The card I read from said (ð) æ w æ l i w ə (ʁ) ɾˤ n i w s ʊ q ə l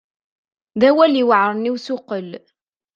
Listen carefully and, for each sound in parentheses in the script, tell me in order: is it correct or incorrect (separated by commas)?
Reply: correct, incorrect